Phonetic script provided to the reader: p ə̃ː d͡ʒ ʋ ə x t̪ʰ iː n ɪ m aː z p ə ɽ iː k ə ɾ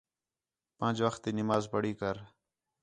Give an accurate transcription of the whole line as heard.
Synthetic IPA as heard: p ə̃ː d͡ʒ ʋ ə x t̪ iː n ɪ m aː z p ə ɽ iː k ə ɾ